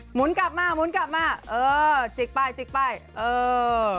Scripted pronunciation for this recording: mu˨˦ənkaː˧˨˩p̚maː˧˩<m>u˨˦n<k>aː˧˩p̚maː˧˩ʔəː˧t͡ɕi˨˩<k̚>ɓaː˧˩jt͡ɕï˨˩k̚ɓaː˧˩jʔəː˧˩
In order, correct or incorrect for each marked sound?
correct, correct, correct

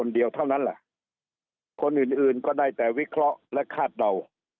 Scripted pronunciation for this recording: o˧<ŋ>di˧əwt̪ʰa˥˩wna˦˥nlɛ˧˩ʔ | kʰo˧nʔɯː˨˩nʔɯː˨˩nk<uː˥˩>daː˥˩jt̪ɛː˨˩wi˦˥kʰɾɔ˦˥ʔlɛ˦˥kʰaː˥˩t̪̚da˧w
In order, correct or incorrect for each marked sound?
incorrect: n, incorrect: ɔː˥˩

